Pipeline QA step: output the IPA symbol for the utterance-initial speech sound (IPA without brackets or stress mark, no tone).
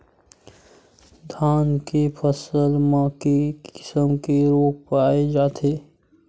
d̪ʱ